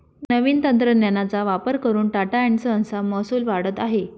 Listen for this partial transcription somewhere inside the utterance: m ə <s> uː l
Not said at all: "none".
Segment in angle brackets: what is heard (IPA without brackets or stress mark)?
s